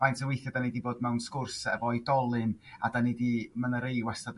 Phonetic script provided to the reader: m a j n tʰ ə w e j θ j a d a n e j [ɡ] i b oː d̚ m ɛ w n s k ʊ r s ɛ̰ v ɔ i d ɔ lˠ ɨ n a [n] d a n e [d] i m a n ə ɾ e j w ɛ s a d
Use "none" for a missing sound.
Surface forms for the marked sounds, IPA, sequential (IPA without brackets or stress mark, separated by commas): d, none, d